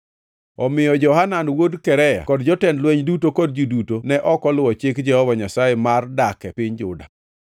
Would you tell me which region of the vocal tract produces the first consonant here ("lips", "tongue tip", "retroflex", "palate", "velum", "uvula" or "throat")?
lips